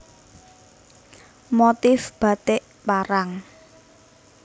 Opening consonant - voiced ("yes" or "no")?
yes